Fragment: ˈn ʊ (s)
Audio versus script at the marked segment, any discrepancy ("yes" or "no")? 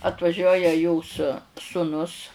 no